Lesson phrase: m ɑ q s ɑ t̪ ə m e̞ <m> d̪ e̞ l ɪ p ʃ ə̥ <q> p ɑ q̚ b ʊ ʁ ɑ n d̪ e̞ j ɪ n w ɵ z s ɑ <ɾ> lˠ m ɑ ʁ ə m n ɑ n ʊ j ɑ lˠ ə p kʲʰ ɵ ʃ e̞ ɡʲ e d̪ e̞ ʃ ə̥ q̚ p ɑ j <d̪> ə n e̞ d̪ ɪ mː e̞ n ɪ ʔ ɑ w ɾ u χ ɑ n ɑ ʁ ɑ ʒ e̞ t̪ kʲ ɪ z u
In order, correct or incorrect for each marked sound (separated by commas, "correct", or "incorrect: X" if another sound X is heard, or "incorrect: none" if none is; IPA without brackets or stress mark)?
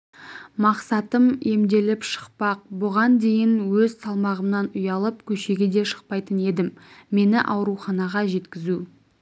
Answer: correct, correct, incorrect: none, incorrect: t̪